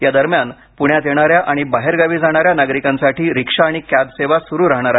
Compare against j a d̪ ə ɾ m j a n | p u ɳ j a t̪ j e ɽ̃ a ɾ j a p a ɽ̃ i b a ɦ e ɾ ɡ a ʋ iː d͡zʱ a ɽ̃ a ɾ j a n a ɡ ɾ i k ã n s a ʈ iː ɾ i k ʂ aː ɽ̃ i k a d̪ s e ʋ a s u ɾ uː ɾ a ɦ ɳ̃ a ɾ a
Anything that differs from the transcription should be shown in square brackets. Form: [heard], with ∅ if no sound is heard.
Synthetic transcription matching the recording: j a d̪ ə ɾ m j a n | p u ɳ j a t̪ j e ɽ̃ a ɾ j a [ʔ] a ɽ̃ i b a ɦ e ɾ ɡ a ʋ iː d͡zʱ a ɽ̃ a ɾ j a n a ɡ ɾ i k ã n s a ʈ iː ɾ i k ʂ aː ɽ̃ i k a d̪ s e ʋ a s u ɾ uː ɾ a ɦ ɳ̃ a ɾ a